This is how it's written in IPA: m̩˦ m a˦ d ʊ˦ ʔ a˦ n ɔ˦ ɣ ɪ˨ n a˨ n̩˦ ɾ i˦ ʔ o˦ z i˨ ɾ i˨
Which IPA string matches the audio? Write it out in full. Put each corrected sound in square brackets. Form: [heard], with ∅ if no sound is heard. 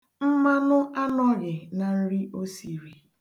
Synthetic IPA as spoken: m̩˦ m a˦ [n] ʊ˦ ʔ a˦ n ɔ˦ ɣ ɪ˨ n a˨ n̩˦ ɾ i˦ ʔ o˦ [s] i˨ ɾ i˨